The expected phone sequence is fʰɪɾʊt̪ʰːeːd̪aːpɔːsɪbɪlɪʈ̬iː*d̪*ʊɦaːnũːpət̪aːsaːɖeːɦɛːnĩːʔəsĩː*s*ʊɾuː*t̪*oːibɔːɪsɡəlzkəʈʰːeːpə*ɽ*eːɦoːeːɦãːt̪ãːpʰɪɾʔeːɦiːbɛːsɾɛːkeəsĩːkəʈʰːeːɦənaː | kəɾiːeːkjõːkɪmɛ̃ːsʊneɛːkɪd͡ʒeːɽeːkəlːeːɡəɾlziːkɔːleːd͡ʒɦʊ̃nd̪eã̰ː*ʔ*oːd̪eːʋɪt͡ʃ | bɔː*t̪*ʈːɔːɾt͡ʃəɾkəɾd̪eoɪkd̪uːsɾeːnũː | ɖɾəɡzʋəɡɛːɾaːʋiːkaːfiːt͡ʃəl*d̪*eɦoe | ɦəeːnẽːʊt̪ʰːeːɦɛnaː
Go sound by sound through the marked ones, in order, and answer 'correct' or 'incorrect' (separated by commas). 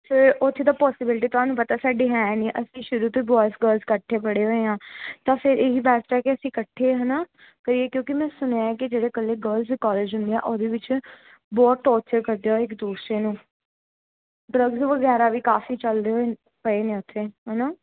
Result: incorrect, incorrect, correct, correct, correct, correct, correct